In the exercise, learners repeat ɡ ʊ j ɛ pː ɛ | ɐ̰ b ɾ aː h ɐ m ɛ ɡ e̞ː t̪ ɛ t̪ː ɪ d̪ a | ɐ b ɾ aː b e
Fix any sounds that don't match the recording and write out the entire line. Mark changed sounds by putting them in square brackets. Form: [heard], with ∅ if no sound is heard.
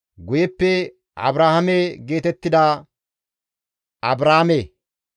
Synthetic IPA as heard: ɡ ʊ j ɛ pː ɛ | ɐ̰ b ɾ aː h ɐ m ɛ ɡ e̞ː t̪ ɛ t̪ː ɪ d̪ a | ɐ b ɾ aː [m] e